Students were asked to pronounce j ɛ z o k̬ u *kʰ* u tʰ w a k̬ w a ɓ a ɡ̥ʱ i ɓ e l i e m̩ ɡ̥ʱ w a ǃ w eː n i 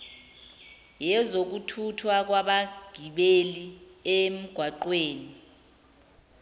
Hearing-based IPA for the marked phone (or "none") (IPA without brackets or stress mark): tʰ